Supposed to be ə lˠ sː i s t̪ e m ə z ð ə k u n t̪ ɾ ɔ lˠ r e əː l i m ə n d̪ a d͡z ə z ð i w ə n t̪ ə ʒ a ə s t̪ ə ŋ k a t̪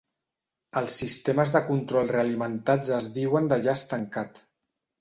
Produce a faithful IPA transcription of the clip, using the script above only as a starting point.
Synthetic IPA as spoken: ə lˠ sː i s t̪ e m ə z ð ə k u n t̪ ɾ ɔ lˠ r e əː l i m ə n t̪ a d͡z ə z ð i w ə n d̪ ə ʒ a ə s t̪ ə ŋ k a t̪